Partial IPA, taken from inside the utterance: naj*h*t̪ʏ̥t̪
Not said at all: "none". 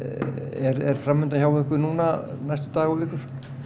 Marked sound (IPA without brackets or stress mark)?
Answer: s